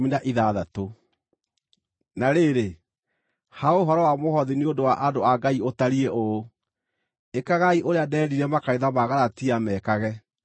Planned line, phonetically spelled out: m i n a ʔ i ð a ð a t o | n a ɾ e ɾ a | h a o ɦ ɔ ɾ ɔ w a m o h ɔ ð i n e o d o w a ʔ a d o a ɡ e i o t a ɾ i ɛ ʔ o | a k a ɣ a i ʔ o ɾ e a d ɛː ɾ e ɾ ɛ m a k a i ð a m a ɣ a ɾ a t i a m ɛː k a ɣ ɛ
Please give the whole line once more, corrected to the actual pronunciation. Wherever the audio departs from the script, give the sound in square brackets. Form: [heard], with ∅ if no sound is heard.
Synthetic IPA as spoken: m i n a ʔ i ð a ð a t o | n a ɾ e ɾ [e] | h a o ɦ ɔ ɾ ɔ w a m o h ɔ ð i n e o d o w a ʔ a d o a ɡ [a] i o t a ɾ i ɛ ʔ o | [e] k a ɣ a i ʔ o ɾ e a d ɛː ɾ [i] ɾ ɛ m a k a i ð a m a ɣ a ɾ a t i a m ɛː k a ɣ ɛ

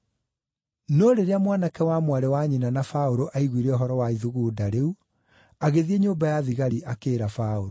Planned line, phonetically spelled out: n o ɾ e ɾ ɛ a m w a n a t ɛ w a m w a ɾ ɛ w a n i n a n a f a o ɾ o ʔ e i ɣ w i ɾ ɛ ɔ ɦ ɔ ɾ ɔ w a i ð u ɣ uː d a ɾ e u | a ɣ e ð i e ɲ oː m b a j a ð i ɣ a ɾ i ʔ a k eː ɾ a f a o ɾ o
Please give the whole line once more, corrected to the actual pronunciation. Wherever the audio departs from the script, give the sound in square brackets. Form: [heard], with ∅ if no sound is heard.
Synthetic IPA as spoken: n o ɾ e ɾ [e] a m w a n a [k] ɛ w a m w a ɾ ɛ w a [ɲ] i n a n a f a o ɾ o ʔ [a] i ɣ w i ɾ ɛ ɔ ɦ ɔ ɾ ɔ w a i ð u ɣ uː d a ɾ e u | a ɣ e ð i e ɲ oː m b a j a ð i ɣ a ɾ i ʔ a k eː ɾ a f a o ɾ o

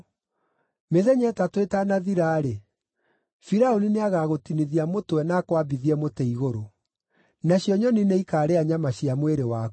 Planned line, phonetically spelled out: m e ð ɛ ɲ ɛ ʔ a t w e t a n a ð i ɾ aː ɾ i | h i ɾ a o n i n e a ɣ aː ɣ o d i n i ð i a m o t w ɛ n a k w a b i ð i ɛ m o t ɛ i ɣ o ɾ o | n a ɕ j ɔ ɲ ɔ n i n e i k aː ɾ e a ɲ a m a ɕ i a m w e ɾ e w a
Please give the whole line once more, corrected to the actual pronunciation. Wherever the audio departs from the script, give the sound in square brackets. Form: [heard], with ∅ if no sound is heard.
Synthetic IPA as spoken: m e ð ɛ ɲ ɛ [t] a t w e t a n a ð i ɾ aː ɾ [e] | [f] i ɾ a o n i n e a ɣ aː ɣ o [t] i n i ð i a m o t w ɛ n a k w a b i ð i ɛ m o t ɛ i ɣ o ɾ o | n a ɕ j ɔ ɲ ɔ n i n e i k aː ɾ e a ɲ a m a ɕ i a m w e ɾ e w a

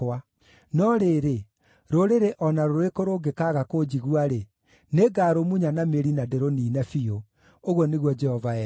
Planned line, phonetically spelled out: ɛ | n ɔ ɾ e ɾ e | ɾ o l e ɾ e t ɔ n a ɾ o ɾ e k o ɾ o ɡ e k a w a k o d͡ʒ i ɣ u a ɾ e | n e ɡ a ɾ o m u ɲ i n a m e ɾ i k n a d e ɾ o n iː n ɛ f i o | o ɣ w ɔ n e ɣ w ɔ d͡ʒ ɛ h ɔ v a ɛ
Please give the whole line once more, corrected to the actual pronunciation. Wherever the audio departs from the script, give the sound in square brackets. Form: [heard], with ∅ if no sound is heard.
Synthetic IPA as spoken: [a] | n ɔ ɾ e ɾ e | ɾ o [ɾ] e ɾ e [ʔ] ɔ n a ɾ o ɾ e k o ɾ o ɡ e k a [ɣ] a k o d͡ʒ i ɣ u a ɾ e | n e ɡ a ɾ o m u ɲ [a] n a m e ɾ i [∅] n a d e ɾ o n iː n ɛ f i o | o ɣ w ɔ n e ɣ w ɔ d͡ʒ ɛ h ɔ v a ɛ

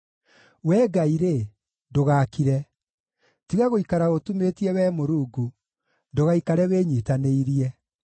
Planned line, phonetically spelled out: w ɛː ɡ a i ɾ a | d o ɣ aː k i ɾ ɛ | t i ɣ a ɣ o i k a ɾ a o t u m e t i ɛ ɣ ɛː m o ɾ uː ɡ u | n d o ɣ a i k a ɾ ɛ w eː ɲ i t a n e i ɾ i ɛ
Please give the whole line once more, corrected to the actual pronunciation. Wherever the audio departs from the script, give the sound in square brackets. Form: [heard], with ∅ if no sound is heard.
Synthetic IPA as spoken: w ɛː ɡ a i ɾ [e] | d o ɣ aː k i ɾ ɛ | t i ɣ a ɣ o i k a ɾ a o t u m e t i ɛ [w] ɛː m o ɾ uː ɡ u | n d o ɣ a i k a ɾ ɛ w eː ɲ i t a n e i ɾ i ɛ

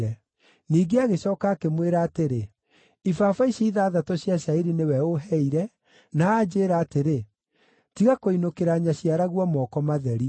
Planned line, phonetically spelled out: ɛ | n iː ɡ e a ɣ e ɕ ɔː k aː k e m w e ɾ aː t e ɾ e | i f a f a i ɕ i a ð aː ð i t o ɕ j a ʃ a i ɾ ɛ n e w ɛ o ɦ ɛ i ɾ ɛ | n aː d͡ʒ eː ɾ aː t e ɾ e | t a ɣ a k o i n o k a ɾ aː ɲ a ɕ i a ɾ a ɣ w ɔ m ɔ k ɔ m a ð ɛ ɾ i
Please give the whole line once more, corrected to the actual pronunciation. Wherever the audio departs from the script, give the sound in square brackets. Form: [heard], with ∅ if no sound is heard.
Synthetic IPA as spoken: ɛ | n iː ɡ e a ɣ e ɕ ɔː k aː k e m w e ɾ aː t e ɾ e | i f a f a i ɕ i [i] ð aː ð [a] t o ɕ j a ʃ a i ɾ [i] n e w ɛ o ɦ ɛ i ɾ ɛ | n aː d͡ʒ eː ɾ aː t e ɾ e | t [i] ɣ a k o i n o k [e] ɾ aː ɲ a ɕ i a ɾ a ɣ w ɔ m ɔ k ɔ m a ð ɛ ɾ i

